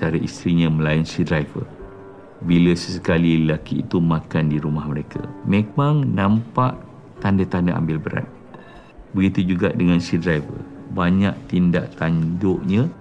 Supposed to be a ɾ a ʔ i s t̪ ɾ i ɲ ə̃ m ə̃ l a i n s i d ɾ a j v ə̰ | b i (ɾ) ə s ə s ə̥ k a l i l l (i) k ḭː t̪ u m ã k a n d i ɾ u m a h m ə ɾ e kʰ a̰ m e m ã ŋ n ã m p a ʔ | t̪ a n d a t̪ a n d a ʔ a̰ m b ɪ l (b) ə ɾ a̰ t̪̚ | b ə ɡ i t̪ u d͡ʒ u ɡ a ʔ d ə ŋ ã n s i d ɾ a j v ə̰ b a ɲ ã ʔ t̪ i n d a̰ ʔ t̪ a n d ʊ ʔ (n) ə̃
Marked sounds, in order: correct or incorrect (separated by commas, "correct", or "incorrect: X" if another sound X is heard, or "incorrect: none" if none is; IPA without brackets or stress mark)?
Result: incorrect: l, incorrect: a, correct, incorrect: ɲ